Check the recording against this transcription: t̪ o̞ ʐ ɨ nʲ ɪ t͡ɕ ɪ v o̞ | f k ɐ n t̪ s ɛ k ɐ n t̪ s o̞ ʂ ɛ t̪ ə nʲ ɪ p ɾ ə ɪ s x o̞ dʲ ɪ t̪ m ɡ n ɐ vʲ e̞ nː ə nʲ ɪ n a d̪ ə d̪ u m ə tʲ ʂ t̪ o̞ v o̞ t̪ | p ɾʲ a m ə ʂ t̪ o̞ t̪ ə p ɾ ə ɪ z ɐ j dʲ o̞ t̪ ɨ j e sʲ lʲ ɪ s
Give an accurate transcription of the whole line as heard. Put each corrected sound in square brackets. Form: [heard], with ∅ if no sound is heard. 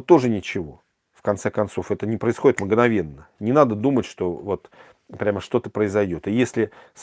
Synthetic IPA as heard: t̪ o̞ ʐ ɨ nʲ ɪ t͡ɕ ɪ v o̞ | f k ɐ n t̪ s ɛ k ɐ n t̪ s o̞ [f] ɛ t̪ ə nʲ ɪ p ɾ ə ɪ s x o̞ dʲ ɪ t̪ m ɡ n ɐ vʲ e̞ nː ə nʲ ɪ n a d̪ ə d̪ u m ə tʲ ʂ t̪ o̞ v o̞ t̪ | p ɾʲ a m ə ʂ t̪ o̞ t̪ ə p ɾ ə ɪ z ɐ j dʲ o̞ t̪ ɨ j e sʲ lʲ ɪ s